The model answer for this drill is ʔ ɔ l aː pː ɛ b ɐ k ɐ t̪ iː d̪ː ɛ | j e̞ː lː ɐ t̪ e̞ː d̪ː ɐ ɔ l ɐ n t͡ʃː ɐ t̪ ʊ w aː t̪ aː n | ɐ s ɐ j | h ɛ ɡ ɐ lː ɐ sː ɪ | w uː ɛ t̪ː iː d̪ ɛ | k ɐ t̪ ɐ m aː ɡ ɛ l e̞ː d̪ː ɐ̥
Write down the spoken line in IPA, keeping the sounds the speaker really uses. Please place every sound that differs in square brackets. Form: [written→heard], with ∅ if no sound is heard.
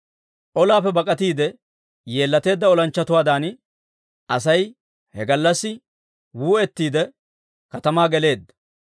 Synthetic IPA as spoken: ʔ ɔ l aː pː ɛ b ɐ [k→kʼ] ɐ t̪ iː [d̪ː→d̪] ɛ | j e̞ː lː ɐ t̪ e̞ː d̪ː ɐ ɔ l ɐ n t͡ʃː ɐ t̪ ʊ w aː [t̪→d̪] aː n | ɐ s ɐ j | h ɛ ɡ ɐ lː ɐ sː ɪ | w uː ɛ t̪ː iː d̪ ɛ | k ɐ t̪ ɐ m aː ɡ ɛ l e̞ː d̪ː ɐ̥